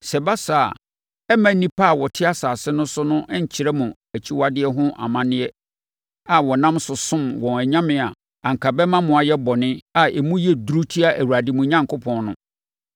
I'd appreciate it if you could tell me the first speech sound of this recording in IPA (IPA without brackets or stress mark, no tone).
s